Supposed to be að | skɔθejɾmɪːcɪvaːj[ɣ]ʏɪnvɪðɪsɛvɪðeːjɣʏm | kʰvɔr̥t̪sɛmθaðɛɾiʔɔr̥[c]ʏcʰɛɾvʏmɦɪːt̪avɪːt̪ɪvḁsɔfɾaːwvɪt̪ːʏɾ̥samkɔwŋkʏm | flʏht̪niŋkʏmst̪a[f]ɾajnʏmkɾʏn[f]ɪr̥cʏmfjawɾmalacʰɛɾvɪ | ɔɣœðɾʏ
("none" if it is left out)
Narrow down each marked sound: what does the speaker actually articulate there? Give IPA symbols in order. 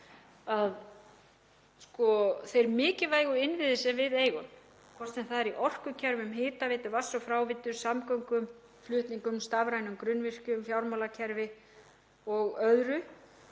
ɣ, k, v, v

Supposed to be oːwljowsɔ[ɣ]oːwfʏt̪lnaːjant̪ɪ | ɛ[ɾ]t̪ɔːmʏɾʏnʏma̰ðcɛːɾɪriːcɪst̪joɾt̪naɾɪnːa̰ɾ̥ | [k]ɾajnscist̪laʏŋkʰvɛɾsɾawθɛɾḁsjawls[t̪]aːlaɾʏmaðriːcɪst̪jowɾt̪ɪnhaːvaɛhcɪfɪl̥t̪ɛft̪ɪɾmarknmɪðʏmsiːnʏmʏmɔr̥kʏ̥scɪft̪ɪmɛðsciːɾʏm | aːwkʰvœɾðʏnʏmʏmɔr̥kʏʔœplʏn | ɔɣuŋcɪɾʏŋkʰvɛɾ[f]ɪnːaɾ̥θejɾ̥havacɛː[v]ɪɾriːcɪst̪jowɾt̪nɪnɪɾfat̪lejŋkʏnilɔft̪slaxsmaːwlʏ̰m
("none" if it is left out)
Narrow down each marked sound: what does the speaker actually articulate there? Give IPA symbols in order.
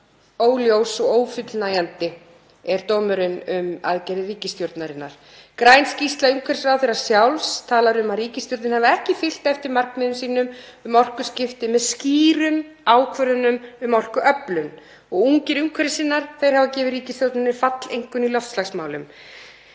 ɣ, ɾ, k, t̪ʰ, s, v

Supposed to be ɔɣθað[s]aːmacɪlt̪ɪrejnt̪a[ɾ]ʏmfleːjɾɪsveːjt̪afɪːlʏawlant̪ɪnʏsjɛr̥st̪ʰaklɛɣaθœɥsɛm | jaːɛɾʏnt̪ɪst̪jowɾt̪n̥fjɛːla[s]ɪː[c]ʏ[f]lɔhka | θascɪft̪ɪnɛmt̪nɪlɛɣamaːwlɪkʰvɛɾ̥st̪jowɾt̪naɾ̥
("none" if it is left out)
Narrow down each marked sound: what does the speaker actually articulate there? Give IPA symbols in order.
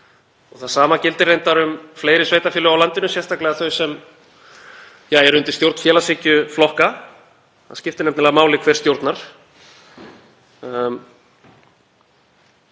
s, ɾ, s, c, f

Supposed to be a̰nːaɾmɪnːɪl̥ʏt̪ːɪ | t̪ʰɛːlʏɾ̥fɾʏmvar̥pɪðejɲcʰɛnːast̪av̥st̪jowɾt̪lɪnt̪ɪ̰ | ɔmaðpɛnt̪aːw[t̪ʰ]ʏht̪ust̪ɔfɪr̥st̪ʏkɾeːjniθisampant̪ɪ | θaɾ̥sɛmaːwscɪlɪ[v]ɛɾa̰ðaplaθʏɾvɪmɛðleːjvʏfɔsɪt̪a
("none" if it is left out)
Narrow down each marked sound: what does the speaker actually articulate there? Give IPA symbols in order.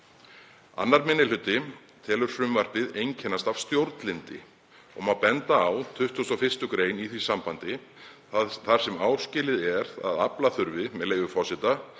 t̪ʰ, ð

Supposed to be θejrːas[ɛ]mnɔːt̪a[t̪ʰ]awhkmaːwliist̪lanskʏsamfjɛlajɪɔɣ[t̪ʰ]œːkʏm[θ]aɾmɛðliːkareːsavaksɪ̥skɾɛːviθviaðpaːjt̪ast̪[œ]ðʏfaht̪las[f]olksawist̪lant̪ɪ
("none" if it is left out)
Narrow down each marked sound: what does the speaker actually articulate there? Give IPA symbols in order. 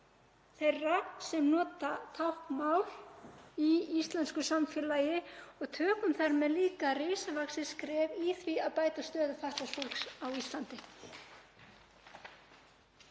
ɛ, t̪ʰ, t̪ʰ, θ, œː, f

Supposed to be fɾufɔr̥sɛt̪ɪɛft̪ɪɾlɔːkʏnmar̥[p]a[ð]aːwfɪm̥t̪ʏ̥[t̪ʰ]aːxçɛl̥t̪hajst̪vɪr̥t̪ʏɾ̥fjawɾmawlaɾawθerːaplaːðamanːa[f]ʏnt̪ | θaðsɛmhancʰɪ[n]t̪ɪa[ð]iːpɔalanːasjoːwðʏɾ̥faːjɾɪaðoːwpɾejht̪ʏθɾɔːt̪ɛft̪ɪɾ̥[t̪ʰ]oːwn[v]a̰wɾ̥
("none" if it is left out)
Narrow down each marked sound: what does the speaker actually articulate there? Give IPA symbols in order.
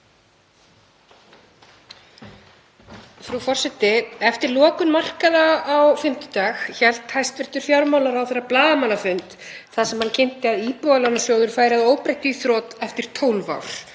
k, ð, t̪, f, n, ð, t̪ʰ, v

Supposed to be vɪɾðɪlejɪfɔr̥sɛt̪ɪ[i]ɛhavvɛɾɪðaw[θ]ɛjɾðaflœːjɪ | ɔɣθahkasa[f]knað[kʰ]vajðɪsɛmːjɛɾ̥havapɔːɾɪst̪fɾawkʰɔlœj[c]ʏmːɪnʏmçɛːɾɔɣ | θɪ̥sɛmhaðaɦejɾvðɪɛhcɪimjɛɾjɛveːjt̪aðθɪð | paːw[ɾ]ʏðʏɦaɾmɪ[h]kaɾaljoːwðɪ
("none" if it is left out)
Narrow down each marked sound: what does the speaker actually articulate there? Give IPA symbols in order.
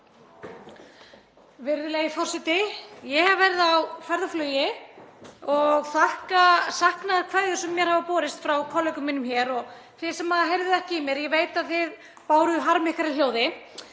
j, f, h, kʰ, k, ɾ, h

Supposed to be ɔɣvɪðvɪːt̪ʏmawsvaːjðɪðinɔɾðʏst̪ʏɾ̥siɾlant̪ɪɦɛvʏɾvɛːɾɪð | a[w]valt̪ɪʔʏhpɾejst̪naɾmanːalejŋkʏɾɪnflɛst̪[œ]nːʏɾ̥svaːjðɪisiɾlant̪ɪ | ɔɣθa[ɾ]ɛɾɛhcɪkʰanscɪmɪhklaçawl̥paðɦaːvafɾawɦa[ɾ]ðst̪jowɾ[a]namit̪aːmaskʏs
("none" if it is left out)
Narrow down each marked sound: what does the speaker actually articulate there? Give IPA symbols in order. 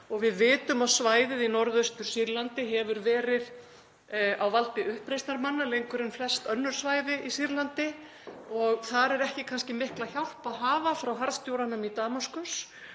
w, œ, ɾ, ɾ, a

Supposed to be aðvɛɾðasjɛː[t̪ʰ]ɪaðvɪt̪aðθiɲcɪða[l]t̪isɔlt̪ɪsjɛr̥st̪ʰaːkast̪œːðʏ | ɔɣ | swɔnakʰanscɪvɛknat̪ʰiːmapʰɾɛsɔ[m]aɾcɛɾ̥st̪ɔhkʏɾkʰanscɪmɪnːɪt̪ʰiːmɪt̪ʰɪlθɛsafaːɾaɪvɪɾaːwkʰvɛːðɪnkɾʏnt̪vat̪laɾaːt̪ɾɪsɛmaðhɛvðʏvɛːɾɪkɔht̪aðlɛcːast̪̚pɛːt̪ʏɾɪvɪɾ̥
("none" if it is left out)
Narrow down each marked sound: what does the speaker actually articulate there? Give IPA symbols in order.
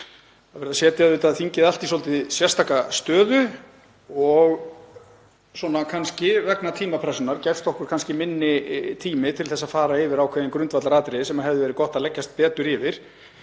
t̪, l, n

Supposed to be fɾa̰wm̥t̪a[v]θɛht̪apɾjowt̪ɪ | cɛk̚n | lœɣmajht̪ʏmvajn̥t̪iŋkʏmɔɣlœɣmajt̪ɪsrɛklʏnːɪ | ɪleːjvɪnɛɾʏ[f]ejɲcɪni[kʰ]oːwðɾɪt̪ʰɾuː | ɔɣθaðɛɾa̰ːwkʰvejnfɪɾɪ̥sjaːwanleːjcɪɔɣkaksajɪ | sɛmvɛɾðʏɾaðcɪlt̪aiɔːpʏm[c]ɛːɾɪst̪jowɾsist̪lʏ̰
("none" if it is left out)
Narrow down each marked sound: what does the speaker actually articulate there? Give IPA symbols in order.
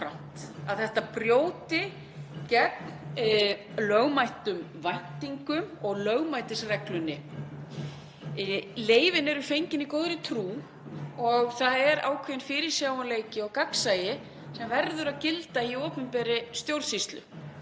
ð, f, k, p

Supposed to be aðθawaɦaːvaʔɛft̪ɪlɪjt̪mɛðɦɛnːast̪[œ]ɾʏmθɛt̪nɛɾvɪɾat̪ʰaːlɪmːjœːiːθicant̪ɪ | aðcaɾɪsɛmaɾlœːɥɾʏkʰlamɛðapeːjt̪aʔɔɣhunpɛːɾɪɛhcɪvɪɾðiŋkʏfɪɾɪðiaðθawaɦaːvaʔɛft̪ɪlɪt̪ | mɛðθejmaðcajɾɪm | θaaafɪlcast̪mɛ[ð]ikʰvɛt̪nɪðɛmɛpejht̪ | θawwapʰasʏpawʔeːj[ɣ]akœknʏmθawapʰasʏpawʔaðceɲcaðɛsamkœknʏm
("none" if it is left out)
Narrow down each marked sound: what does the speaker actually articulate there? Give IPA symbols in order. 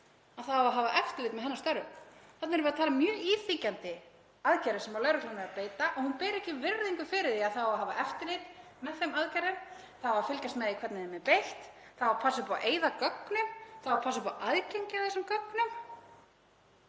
œ, ð, ð

